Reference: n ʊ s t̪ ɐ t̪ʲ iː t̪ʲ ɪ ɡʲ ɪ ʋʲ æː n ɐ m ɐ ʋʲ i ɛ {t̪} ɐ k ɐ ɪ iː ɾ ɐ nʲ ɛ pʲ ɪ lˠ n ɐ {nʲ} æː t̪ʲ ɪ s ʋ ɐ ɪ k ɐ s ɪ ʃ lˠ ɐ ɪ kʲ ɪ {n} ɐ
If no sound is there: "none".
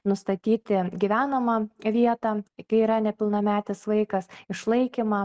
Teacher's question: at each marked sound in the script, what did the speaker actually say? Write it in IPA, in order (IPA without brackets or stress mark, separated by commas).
t̪, mʲ, m